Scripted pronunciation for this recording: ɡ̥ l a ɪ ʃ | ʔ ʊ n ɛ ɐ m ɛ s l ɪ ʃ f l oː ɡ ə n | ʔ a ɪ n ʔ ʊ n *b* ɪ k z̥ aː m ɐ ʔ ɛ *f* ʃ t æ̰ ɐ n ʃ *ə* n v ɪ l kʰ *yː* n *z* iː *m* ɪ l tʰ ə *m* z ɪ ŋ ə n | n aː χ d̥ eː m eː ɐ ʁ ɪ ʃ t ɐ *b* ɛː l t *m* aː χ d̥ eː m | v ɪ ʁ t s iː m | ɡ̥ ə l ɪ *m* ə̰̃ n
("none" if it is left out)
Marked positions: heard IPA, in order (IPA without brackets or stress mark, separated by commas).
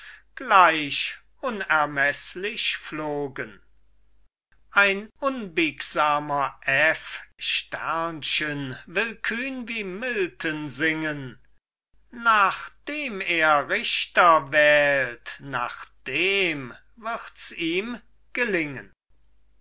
b, f, ə, yː, v, m, n, v, n, ŋ